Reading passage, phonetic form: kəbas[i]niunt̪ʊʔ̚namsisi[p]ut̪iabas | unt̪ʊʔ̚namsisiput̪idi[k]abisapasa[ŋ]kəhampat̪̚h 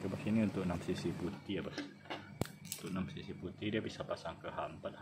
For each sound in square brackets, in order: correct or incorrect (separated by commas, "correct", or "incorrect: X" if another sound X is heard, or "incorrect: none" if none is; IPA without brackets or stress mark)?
correct, correct, incorrect: none, correct